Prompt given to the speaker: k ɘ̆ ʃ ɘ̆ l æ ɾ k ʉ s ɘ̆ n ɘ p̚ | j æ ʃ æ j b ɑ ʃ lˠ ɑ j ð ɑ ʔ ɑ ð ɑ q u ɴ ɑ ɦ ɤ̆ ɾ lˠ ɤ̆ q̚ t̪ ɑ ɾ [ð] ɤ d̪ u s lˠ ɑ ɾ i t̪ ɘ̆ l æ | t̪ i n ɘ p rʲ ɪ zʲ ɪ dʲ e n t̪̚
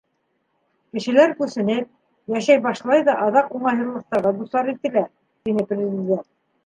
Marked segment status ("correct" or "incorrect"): incorrect